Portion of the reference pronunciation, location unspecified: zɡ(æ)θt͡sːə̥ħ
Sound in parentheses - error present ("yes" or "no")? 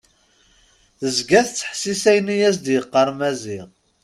no